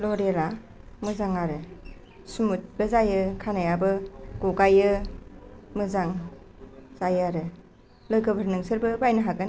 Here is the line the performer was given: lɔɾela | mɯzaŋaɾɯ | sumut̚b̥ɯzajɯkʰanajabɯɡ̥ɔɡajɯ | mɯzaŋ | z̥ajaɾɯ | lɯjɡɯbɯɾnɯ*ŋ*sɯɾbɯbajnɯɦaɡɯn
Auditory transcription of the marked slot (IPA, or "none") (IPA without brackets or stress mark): ŋ